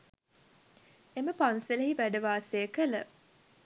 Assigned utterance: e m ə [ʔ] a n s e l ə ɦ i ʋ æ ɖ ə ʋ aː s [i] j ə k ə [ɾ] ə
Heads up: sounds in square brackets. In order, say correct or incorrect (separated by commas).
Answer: incorrect, incorrect, incorrect